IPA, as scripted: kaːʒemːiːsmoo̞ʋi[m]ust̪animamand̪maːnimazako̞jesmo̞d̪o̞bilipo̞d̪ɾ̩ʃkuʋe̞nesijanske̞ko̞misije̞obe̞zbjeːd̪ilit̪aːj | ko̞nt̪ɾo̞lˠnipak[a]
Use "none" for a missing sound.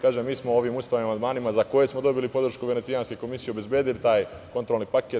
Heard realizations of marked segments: m, e

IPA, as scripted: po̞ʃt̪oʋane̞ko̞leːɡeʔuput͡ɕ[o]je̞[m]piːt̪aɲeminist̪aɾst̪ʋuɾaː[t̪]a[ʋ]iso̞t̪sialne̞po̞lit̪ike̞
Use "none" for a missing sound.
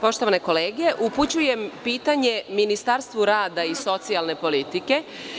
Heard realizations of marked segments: u, m, d̪, none

